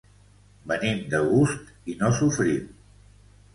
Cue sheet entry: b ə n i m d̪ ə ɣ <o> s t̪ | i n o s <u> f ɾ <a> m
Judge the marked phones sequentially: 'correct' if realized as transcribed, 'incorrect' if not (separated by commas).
incorrect, correct, incorrect